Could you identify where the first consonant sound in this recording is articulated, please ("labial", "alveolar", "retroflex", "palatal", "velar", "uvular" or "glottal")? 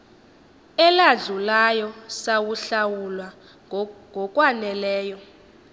alveolar